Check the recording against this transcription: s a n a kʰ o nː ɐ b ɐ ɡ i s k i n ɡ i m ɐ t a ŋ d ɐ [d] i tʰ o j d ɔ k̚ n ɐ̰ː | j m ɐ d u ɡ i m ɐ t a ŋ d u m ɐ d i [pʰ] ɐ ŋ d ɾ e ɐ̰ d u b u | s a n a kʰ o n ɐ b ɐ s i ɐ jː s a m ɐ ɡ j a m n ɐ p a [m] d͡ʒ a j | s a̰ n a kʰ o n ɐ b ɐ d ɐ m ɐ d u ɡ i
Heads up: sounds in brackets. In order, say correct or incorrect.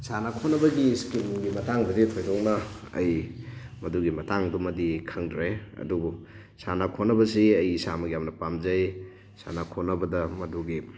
correct, incorrect: kʰ, correct

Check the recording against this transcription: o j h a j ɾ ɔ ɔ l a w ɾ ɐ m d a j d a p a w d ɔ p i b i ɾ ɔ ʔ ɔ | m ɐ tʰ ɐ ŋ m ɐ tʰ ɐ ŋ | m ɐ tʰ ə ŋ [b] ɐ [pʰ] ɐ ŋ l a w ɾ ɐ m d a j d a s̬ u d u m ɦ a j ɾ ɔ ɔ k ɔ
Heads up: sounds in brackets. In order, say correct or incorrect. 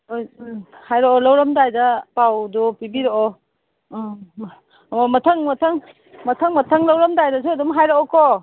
incorrect: m, incorrect: tʰ

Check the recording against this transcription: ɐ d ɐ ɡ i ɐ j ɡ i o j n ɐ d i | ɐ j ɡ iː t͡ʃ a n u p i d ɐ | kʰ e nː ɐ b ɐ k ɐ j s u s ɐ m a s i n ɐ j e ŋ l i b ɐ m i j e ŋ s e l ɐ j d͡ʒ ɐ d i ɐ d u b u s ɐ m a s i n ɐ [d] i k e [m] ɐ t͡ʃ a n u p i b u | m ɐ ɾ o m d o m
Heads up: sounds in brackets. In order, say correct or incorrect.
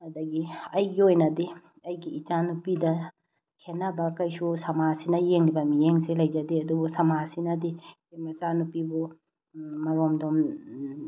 correct, correct

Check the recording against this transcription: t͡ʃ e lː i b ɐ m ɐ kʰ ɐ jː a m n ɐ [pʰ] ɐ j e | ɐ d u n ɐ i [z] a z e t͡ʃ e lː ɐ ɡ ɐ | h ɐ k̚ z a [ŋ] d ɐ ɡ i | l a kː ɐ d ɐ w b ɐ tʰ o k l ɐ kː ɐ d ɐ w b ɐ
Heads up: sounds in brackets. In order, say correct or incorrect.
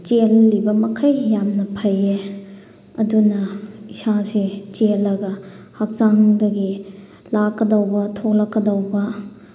correct, incorrect: s, correct

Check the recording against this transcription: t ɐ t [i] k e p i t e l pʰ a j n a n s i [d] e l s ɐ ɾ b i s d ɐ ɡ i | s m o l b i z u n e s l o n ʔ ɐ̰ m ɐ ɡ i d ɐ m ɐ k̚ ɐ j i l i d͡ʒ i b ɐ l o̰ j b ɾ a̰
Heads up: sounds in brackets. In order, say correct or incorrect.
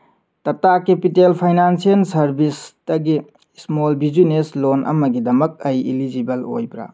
incorrect: a, incorrect: none

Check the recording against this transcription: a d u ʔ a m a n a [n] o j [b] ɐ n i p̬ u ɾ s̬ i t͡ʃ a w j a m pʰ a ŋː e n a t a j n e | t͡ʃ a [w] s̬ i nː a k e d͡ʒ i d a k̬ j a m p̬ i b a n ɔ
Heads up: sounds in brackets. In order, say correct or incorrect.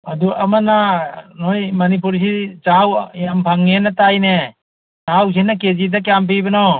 correct, incorrect: m, correct

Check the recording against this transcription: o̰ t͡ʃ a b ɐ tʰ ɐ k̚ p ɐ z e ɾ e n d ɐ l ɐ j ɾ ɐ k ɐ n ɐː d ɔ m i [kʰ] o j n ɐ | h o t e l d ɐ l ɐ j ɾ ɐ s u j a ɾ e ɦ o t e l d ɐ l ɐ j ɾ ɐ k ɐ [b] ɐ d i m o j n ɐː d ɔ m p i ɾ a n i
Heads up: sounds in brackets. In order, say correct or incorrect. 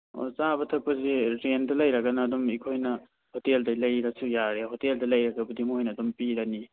correct, correct

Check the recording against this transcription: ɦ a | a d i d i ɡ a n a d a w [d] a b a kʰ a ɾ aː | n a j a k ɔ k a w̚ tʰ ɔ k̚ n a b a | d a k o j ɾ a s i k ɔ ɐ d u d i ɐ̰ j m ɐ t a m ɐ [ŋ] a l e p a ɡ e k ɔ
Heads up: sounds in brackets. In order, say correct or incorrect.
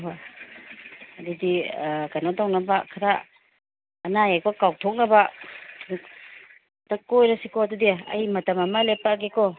incorrect: n, incorrect: m

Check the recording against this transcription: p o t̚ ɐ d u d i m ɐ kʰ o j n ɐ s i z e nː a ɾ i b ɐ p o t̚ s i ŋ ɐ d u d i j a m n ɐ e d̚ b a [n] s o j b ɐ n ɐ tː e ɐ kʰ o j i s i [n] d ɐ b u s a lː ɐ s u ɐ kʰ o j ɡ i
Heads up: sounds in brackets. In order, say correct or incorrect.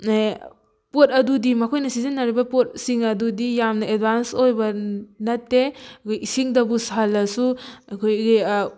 correct, incorrect: ŋ

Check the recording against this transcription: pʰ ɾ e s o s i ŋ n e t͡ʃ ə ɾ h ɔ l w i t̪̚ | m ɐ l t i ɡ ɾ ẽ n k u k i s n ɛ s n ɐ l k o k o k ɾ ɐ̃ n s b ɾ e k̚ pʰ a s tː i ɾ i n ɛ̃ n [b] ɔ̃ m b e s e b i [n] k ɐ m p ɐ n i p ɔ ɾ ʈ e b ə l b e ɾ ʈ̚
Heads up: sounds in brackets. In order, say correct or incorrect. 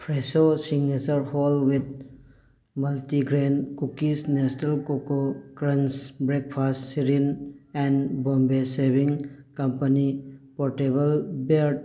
correct, incorrect: ŋ

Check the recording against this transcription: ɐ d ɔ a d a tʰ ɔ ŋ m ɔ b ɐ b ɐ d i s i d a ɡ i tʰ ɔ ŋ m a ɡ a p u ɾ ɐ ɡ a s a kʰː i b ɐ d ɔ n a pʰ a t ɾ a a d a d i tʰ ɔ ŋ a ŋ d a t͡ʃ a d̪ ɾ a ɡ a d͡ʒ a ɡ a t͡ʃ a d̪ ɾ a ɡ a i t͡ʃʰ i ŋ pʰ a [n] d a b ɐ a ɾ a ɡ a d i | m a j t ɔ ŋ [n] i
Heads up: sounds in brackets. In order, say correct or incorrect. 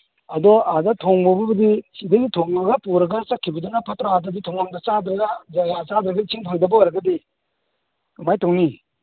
incorrect: ŋ, correct

